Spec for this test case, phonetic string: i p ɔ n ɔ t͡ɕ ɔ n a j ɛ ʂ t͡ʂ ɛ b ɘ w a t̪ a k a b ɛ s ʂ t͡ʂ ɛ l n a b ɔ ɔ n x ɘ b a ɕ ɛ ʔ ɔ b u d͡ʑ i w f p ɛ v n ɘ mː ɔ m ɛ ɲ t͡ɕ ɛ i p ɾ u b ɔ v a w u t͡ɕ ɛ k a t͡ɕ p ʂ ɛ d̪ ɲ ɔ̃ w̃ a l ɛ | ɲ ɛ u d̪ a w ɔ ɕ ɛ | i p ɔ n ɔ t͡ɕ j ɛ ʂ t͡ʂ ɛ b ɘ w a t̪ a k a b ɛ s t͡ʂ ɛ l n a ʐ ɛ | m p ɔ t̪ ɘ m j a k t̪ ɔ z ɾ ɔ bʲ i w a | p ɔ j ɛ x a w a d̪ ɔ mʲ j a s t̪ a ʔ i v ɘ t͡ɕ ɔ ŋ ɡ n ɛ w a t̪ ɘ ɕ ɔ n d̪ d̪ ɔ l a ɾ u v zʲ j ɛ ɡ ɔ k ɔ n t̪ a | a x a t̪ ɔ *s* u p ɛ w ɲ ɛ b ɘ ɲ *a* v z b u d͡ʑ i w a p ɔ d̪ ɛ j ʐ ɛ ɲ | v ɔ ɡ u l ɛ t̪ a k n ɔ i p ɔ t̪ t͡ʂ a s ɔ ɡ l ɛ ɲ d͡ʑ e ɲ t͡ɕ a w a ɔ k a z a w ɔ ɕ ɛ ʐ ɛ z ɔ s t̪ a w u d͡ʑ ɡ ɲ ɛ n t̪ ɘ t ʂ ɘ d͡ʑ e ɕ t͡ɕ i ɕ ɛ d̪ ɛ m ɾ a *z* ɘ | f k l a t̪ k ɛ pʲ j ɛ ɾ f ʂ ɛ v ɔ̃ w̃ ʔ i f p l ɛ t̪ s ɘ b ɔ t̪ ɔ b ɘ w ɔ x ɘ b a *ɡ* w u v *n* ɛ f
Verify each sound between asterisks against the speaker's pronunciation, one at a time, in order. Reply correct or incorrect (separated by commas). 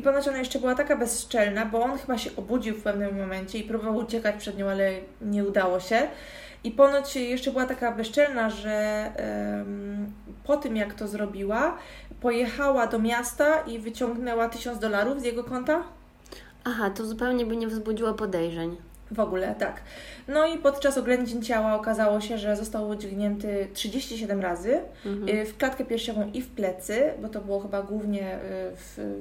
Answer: incorrect, incorrect, correct, correct, incorrect